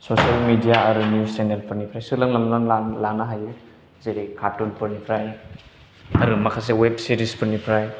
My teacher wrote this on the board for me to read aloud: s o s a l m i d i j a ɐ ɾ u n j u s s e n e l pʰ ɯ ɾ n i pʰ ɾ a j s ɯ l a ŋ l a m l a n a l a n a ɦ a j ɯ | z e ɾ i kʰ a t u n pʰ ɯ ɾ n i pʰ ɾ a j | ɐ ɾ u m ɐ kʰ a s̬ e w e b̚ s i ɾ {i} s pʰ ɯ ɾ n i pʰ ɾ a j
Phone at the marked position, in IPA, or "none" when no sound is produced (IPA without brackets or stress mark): i